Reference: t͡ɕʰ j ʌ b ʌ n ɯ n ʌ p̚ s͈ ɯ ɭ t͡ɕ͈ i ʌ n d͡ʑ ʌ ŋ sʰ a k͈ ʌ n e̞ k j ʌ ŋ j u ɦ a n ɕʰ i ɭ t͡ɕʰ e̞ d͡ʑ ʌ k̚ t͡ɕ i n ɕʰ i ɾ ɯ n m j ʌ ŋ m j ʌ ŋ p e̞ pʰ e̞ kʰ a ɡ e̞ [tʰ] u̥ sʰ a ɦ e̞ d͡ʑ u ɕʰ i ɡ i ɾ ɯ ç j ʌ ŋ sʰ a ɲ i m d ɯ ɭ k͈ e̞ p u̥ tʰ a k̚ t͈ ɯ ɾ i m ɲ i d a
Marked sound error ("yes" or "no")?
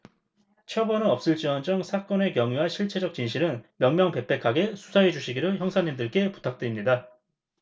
yes